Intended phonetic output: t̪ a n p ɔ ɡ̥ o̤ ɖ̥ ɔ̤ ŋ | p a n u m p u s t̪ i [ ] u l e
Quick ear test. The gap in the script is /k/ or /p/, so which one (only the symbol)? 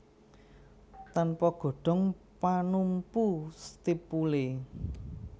p